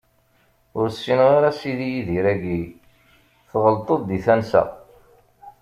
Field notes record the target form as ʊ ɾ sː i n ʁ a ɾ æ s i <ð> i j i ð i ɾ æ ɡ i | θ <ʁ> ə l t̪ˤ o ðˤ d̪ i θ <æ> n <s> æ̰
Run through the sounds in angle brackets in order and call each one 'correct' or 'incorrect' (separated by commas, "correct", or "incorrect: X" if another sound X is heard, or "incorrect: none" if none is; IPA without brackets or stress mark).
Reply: correct, correct, correct, correct